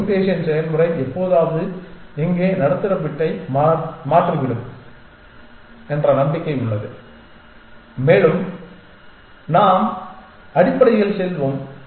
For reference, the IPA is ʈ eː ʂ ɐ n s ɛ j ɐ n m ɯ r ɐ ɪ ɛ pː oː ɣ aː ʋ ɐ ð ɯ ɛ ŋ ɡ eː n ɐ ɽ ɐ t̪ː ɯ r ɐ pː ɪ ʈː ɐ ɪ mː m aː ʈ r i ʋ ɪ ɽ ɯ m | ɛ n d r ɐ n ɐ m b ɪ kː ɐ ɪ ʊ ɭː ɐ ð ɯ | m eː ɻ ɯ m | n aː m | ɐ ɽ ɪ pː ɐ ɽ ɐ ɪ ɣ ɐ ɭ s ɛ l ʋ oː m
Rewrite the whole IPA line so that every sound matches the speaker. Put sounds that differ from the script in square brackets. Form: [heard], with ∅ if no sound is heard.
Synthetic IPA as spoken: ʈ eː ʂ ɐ n s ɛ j ɐ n m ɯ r ɐ ɪ ɛ pː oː [ð] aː ʋ ɐ ð ɯ ɛ ŋ ɡ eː n ɐ ɽ ɐ t̪ː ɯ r ɐ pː ɪ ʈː ɐ ɪ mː m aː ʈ r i ʋ ɪ ɽ ɯ m | ɛ n d r ɐ n ɐ m b ɪ kː ɐ ɪ ʊ ɭː ɐ ð ɯ | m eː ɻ ɯ m | n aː m | ɐ ɽ ɪ pː ɐ ɽ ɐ ɪ ɣ ɐ ɭ s ɛ l ʋ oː m